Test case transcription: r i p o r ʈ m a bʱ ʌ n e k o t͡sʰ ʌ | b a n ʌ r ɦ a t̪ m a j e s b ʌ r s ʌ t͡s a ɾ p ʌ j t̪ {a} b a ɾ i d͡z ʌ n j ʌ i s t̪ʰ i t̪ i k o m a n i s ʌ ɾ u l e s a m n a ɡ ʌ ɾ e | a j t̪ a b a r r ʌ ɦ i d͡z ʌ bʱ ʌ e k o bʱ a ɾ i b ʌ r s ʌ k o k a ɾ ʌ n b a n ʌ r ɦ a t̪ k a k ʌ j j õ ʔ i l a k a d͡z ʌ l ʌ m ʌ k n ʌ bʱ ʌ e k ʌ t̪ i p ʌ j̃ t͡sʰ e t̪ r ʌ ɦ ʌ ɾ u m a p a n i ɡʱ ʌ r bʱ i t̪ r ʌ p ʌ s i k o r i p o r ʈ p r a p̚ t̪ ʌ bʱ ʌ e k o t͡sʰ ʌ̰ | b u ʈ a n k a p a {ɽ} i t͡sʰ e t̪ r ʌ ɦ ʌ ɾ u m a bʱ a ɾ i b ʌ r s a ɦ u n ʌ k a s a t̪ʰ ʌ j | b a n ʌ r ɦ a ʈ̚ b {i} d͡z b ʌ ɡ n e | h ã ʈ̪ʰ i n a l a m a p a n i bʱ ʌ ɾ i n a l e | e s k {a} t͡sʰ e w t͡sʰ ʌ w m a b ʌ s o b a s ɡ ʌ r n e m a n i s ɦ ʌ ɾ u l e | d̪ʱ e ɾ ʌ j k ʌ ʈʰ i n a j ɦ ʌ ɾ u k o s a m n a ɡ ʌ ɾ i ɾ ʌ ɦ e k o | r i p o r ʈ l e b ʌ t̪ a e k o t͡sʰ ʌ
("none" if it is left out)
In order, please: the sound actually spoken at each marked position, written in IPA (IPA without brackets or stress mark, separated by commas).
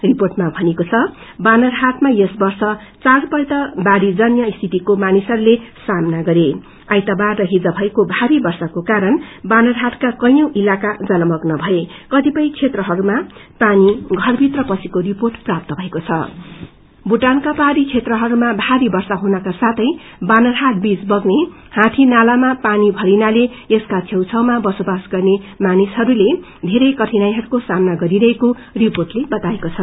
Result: ʌ, ɾ, i, a